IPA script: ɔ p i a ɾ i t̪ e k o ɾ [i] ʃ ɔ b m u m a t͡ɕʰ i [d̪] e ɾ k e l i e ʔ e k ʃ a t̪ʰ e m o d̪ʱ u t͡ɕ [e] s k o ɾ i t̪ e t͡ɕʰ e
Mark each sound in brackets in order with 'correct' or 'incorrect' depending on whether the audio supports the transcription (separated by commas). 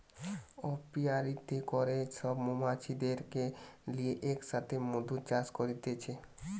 incorrect, correct, incorrect